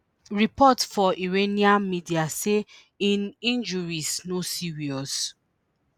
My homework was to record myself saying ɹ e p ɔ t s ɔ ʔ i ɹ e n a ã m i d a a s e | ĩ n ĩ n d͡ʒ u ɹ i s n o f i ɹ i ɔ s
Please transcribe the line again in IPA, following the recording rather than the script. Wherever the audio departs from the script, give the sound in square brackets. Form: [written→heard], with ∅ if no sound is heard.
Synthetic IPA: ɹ [e→i] p ɔ t [s→f] ɔ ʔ i ɹ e n [a→i] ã m i d [a→i] a s e | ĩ n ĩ n d͡ʒ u ɹ i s n o [f→s] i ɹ i ɔ s